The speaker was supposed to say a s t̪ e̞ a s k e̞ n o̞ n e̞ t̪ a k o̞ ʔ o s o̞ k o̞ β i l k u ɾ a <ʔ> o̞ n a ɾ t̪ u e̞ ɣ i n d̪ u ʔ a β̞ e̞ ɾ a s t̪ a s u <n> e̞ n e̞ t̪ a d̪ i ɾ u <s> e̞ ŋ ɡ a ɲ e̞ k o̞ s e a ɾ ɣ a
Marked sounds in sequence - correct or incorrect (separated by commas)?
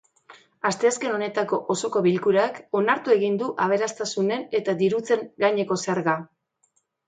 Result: incorrect, correct, incorrect